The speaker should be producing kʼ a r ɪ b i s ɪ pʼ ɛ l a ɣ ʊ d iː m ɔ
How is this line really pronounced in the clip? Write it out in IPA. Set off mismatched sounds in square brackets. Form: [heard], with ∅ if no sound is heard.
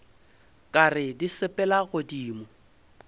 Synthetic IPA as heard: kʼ a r ɪ [d] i s ɪ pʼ ɛ l a ɣ ʊ d iː m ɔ